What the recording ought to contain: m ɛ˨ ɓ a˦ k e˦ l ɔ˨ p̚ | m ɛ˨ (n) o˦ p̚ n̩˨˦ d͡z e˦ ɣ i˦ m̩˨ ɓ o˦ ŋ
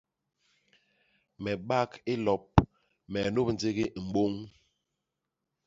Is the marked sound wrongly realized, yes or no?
no